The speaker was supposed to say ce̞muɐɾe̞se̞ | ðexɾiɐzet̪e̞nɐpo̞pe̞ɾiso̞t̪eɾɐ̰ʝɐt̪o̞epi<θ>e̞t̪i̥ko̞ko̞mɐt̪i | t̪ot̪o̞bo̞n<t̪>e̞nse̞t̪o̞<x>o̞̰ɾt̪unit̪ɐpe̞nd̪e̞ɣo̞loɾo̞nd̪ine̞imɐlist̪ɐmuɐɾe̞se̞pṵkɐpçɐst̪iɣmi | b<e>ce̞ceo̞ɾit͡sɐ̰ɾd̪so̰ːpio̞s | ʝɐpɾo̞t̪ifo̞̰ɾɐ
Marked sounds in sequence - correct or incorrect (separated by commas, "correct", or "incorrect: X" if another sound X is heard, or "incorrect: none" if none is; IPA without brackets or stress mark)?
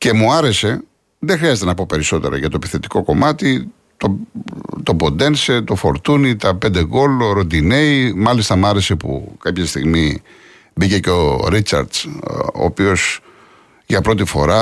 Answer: correct, incorrect: d̪, incorrect: f, incorrect: i